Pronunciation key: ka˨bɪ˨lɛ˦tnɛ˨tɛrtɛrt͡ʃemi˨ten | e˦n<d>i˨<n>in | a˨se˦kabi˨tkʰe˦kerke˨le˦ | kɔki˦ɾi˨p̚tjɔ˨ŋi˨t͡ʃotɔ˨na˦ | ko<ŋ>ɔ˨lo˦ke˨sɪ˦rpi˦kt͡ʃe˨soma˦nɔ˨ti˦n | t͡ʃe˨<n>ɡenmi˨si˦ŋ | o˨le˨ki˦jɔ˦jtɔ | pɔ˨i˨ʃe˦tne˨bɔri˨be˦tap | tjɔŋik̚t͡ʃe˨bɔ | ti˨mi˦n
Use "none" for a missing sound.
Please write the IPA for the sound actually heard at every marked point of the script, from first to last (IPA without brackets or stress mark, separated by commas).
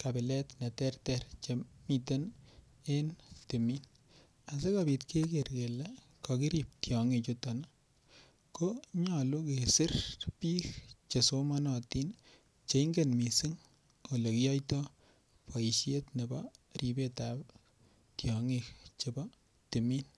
t, m, ɲ, ŋ